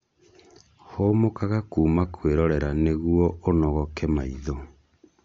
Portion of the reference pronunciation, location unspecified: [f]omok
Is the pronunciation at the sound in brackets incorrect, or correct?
incorrect